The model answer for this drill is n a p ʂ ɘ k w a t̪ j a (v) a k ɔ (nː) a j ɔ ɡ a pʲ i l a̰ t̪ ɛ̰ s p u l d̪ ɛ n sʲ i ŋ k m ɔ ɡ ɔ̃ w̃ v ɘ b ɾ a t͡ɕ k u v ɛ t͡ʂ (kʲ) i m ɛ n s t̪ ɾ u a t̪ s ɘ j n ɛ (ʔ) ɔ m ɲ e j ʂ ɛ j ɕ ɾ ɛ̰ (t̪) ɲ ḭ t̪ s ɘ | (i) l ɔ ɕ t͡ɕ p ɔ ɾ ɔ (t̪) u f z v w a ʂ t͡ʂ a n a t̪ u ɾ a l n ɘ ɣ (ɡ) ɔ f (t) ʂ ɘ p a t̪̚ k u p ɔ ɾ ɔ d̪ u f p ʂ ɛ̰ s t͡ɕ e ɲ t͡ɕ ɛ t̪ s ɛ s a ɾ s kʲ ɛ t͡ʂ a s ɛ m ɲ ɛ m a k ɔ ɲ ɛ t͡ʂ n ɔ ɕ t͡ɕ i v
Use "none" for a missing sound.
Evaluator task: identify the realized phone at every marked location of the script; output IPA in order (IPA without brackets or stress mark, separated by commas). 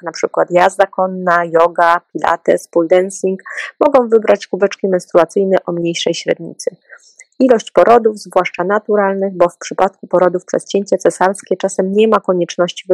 z, nː, kʲ, ʔ, d̪, i, d̪, b, p